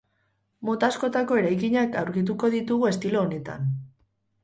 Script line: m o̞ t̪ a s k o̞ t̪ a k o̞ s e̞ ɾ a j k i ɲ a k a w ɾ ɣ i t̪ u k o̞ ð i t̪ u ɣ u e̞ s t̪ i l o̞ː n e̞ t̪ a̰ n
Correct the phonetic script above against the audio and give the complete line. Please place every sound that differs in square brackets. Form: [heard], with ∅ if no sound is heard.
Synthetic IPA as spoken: m o̞ t̪ a s k o̞ t̪ a k o̞ [∅] e̞ ɾ a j k i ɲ a k a w ɾ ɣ i t̪ u k o̞ ð i t̪ u ɣ u e̞ s t̪ i l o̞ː n e̞ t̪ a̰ n

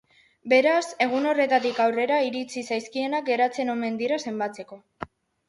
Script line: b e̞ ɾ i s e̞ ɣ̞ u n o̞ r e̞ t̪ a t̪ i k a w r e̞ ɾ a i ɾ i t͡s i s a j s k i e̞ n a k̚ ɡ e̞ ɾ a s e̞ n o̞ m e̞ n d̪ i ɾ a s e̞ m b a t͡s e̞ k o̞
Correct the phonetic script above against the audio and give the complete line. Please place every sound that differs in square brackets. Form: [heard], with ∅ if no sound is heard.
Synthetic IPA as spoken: b e̞ ɾ [a] s e̞ ɣ̞ u n o̞ r e̞ t̪ a t̪ i k a w r e̞ ɾ a i ɾ i t͡s i s a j s k i e̞ n a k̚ ɡ e̞ ɾ a [t͡s] e̞ n o̞ m e̞ n d̪ i ɾ a s e̞ m b a t͡s e̞ k o̞

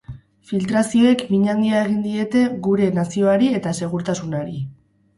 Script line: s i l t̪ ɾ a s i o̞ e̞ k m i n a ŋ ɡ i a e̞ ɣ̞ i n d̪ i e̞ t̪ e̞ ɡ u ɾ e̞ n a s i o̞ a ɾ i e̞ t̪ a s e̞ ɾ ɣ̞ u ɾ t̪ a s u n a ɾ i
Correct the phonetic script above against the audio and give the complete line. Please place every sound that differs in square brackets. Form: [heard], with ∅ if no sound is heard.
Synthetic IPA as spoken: [f] i l t̪ ɾ a s i o̞ e̞ k m i [ɲ] a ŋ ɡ i a e̞ ɣ̞ i n d̪ i e̞ t̪ e̞ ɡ u ɾ e̞ n a s i o̞ a ɾ i e̞ t̪ a s e̞ [∅] ɣ̞ u ɾ t̪ a s u n a ɾ i

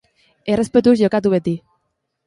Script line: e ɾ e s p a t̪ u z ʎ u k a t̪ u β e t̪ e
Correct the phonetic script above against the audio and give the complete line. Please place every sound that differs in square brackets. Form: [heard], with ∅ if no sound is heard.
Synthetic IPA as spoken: e [r] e s p [e] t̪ u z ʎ [o] k a t̪ u β e t̪ [i]

